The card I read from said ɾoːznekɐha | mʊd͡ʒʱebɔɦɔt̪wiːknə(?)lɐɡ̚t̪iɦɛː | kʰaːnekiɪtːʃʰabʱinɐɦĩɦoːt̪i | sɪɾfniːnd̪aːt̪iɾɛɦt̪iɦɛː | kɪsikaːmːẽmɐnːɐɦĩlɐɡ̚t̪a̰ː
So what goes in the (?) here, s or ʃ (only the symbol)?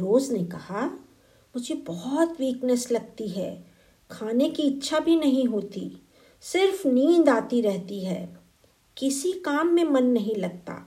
s